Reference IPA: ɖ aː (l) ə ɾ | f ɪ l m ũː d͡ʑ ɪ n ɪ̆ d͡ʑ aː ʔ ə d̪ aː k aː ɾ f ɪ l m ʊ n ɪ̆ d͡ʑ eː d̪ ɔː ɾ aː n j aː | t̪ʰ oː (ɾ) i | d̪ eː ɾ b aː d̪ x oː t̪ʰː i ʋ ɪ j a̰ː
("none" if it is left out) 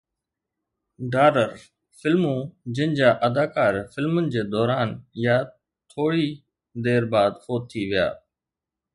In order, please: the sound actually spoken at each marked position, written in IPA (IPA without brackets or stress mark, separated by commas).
ɾ, ɽ